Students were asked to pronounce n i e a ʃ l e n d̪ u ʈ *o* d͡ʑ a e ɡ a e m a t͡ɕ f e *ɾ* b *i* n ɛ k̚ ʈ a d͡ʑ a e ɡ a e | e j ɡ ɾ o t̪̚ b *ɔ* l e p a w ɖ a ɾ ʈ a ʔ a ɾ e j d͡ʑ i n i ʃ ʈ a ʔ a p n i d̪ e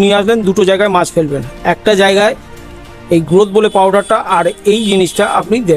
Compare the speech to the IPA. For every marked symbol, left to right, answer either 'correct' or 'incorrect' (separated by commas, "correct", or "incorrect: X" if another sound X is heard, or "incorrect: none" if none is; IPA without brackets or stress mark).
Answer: correct, incorrect: l, incorrect: e, incorrect: o